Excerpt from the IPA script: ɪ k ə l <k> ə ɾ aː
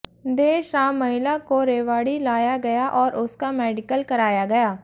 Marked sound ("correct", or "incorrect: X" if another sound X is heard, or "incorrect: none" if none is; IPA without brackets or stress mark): correct